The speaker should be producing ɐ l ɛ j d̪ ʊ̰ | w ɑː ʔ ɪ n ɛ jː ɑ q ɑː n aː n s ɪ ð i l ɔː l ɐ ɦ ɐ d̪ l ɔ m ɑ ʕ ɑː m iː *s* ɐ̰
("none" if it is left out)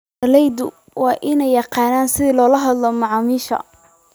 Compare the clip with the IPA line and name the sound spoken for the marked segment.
ʃ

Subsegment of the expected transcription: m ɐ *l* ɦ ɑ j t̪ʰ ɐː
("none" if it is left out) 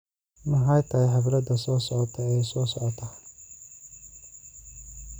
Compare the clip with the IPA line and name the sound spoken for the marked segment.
none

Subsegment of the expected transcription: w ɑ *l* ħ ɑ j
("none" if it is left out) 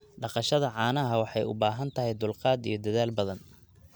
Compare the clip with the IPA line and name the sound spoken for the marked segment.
none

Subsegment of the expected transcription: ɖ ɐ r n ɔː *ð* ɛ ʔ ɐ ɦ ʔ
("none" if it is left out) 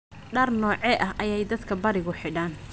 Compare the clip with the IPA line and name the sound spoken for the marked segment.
ʕ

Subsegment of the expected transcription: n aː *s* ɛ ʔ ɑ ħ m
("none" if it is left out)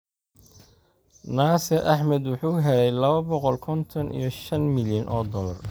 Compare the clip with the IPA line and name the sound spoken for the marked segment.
s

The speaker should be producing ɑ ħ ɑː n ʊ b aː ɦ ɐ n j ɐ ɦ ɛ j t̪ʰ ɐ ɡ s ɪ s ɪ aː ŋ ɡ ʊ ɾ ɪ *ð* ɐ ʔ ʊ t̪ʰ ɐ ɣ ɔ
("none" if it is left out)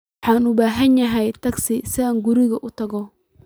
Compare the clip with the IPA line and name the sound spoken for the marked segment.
ɣ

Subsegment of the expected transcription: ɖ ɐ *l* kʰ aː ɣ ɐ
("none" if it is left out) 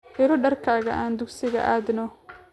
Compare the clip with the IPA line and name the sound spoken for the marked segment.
r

